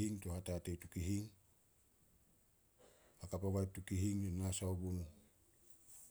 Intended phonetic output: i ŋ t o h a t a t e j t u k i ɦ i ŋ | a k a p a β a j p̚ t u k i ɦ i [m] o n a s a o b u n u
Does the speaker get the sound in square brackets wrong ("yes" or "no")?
yes